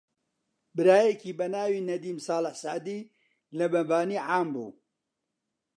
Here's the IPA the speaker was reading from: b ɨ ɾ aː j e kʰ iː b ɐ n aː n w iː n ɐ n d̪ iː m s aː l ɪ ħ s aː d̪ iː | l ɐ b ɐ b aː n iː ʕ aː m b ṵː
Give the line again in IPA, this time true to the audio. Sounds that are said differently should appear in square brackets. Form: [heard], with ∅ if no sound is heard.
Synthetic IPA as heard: b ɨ ɾ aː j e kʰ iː b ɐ n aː [∅] w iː n ɐ [∅] d̪ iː m s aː l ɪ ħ s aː d̪ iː | l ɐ b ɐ b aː n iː ʕ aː m b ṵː